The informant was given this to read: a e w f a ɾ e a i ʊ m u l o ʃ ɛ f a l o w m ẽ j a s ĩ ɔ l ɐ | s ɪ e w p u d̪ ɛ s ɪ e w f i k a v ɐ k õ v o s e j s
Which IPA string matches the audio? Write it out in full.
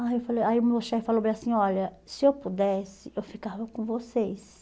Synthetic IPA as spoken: a e w f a l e a i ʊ m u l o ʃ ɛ f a l o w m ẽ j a s ĩ ɔ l ɐ | s ɪ e w p u d̪ ɛ s ɪ e w f i k a v ɐ k õ v o s e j s